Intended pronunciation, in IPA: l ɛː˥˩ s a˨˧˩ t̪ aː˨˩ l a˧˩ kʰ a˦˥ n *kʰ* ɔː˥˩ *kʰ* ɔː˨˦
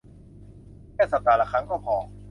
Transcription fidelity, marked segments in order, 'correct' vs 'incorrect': incorrect, incorrect

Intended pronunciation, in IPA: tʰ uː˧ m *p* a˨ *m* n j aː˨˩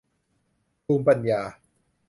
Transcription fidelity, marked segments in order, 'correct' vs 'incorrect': correct, incorrect

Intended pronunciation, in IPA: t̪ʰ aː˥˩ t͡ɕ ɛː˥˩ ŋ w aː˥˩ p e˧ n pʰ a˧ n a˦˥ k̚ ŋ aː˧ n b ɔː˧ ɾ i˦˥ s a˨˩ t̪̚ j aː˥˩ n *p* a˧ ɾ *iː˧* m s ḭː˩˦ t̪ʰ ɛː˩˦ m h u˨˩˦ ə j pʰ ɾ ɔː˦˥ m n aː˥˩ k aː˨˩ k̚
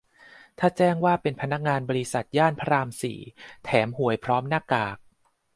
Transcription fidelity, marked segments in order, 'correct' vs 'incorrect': incorrect, incorrect

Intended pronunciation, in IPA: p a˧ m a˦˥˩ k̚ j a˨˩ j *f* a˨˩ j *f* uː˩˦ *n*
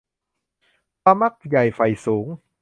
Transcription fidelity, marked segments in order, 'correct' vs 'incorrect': correct, incorrect, incorrect

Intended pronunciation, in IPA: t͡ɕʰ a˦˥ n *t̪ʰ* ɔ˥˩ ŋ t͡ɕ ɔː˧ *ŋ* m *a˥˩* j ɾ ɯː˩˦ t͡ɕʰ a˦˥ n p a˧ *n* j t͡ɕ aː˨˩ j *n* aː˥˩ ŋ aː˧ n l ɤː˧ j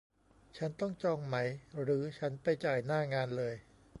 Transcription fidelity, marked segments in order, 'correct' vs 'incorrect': incorrect, correct, incorrect, incorrect, correct

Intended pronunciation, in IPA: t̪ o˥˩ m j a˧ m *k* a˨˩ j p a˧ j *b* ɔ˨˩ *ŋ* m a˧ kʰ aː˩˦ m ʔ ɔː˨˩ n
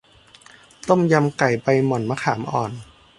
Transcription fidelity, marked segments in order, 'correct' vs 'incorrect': correct, incorrect, incorrect

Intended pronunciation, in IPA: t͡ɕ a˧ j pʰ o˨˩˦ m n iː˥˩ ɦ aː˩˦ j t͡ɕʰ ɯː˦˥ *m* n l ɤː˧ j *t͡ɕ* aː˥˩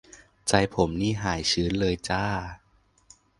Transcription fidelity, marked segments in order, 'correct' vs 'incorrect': incorrect, correct

